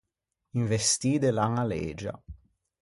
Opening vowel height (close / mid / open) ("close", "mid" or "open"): close